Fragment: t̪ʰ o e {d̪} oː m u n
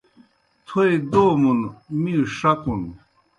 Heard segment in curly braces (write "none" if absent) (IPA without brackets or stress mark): d̪